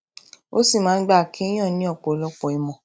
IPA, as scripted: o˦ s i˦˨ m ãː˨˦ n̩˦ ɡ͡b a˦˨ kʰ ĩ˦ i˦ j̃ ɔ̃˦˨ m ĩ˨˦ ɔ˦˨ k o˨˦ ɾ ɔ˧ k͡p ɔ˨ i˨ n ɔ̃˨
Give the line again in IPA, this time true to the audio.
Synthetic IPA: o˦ s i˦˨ m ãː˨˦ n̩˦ ɡ͡b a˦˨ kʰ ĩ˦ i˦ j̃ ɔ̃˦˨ n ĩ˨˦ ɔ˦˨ k͡p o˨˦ l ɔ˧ k͡p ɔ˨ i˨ m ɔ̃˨